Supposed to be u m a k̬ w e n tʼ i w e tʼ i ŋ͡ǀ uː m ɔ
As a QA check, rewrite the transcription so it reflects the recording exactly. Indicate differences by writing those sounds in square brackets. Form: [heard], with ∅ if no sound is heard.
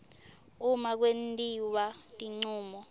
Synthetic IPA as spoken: u m a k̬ w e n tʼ i w [a] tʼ i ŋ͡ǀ uː m ɔ